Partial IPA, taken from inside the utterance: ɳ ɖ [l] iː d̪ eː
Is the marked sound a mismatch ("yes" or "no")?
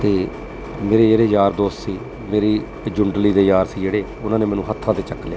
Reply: no